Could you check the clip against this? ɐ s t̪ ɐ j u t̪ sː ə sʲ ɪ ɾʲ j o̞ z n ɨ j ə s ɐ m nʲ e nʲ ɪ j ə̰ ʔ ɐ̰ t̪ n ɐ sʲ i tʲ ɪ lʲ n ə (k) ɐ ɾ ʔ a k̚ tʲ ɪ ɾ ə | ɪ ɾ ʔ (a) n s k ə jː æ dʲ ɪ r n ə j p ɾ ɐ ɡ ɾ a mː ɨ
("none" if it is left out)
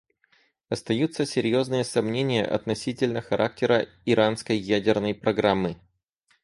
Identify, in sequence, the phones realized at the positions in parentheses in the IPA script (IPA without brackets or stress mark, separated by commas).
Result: x, a